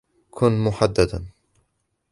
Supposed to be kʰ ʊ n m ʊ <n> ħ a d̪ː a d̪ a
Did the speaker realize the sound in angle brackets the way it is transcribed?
no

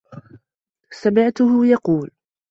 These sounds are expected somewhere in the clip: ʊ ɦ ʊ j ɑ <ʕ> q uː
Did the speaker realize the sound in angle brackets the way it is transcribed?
no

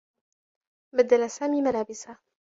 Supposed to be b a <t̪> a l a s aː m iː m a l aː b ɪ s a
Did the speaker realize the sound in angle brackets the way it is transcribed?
no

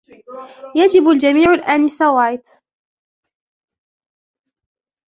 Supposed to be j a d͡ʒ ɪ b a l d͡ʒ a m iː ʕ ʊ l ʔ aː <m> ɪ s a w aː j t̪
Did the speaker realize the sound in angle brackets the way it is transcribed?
no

